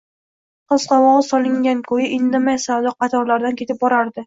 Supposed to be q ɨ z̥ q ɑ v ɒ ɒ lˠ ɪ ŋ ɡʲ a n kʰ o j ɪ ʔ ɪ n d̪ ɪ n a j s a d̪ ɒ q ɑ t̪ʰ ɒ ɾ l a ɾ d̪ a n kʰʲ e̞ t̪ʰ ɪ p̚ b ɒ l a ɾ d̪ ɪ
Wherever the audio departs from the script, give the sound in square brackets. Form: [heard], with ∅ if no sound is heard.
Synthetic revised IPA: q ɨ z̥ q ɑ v ɒ ɒ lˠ ɪ ŋ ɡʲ a n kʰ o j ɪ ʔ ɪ n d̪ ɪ [m] a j s a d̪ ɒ q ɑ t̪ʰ ɒ ɾ l a ɾ d̪ a n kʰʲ e̞ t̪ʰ ɪ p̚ b ɒ [ɾ] a ɾ d̪ ɪ